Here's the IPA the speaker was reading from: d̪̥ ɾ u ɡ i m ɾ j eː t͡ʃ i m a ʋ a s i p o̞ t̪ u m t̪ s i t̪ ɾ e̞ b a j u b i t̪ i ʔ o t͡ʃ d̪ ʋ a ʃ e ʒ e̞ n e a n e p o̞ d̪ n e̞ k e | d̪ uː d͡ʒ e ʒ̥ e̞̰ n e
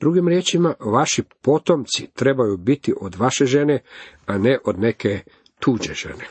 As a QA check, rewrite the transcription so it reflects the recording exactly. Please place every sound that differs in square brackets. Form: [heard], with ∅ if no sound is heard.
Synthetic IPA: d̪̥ ɾ u ɡ i m ɾ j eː t͡ʃ i m a ʋ a [ʃ] i p o̞ t̪ [o] m t̪ s i t̪ ɾ e̞ b a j u b i t̪ i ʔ o [∅] d̪ ʋ a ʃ e ʒ e̞ n e a n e [ʔ] o̞ d̪ n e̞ k e | [t̪] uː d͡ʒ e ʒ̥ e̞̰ n e